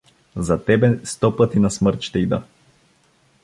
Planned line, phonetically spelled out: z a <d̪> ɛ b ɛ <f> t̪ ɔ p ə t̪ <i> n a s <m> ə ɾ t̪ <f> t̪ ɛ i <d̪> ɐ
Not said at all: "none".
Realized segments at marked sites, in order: t̪, s, i, m, ʃ, d̪

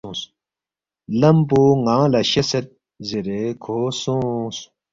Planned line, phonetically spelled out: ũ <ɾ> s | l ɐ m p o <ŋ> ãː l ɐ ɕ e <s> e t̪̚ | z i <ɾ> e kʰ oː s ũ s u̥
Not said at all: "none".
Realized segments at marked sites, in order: none, ŋ, s, ɾ

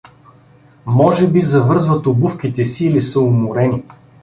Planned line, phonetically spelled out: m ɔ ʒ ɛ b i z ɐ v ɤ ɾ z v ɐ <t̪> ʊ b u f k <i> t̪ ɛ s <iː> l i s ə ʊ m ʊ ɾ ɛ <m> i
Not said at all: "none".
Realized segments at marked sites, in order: t̪, i, iː, n

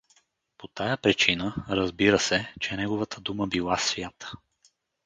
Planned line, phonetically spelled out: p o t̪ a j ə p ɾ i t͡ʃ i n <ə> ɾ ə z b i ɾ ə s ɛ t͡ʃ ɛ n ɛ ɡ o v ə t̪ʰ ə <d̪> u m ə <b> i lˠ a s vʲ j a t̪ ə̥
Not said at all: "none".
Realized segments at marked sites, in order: ə, d̪, b

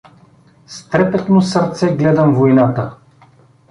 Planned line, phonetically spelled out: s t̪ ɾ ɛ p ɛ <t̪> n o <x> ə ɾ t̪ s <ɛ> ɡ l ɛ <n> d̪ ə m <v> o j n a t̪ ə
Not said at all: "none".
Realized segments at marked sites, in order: t̪, s, ɛ, none, v

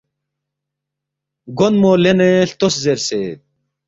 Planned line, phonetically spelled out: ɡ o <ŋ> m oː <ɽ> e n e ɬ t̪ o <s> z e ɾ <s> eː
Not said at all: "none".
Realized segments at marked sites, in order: n, l, s, s

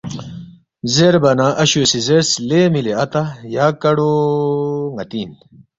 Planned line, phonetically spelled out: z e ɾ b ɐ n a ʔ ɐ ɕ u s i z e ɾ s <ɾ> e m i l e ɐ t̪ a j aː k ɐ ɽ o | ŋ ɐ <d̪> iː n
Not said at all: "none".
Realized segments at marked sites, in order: l, t̪

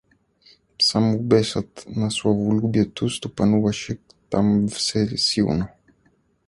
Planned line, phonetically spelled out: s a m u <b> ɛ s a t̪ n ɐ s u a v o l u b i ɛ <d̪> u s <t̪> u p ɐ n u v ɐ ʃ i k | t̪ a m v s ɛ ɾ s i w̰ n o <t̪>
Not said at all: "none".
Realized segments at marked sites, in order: b, t̪, t̪, none

